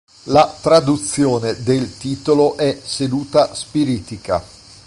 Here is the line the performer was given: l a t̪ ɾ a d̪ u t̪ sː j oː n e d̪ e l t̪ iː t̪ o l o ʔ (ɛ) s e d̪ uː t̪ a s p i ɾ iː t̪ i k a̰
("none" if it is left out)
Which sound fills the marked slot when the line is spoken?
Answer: ɛ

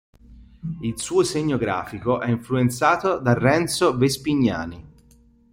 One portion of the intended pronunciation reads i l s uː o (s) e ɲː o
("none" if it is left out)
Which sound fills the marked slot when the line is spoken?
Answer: s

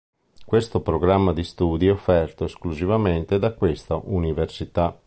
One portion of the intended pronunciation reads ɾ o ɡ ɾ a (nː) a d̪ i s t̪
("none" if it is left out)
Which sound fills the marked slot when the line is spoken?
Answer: mː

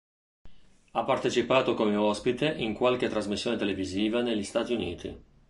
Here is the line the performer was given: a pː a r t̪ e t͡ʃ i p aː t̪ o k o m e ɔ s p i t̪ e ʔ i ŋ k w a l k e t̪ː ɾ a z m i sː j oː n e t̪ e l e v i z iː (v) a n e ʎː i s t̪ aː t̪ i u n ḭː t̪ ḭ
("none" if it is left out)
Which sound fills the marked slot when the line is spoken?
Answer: v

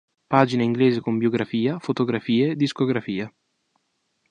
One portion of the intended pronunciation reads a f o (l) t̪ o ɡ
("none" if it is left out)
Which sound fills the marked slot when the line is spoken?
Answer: none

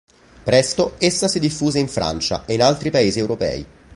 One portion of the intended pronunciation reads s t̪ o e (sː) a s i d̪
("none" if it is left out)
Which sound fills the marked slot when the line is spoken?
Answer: sː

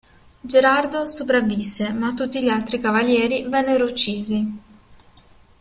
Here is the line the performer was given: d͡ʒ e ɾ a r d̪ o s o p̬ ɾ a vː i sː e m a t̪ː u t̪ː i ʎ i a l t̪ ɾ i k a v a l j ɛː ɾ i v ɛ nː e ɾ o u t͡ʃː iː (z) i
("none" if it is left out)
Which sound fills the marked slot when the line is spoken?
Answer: z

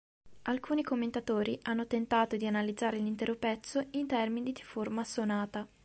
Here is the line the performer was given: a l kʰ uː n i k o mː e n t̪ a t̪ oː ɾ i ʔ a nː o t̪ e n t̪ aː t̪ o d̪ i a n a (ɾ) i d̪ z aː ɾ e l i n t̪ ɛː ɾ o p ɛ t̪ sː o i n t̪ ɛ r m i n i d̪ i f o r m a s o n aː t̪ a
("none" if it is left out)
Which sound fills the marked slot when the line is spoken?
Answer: l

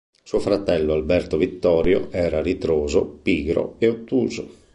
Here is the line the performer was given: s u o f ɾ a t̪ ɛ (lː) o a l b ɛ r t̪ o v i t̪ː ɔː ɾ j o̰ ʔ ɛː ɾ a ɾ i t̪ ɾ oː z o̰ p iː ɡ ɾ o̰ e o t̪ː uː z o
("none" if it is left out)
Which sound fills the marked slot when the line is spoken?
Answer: lː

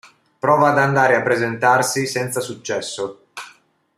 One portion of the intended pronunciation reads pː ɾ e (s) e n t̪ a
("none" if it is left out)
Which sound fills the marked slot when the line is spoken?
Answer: z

